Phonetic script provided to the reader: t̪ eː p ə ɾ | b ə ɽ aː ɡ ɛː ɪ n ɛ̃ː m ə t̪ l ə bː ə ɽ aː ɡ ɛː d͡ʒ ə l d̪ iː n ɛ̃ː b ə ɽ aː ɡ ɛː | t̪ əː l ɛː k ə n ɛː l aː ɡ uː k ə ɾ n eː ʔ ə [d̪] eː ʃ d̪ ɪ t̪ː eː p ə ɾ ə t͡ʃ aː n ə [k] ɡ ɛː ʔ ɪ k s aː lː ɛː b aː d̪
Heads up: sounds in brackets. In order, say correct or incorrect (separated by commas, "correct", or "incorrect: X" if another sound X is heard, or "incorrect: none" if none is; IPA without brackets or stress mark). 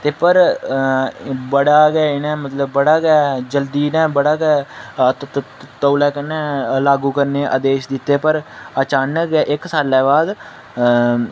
correct, correct